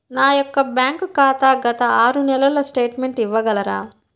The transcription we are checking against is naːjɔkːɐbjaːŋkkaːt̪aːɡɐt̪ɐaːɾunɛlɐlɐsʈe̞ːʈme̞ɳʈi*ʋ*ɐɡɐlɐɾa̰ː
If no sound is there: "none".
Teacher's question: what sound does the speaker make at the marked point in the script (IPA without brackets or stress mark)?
ʋː